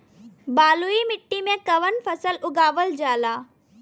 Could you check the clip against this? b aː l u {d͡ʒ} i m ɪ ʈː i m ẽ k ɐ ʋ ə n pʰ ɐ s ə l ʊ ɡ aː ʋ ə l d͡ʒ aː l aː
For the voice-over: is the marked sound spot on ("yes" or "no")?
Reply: no